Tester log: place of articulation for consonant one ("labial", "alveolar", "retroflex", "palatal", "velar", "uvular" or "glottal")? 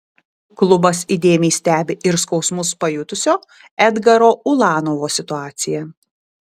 velar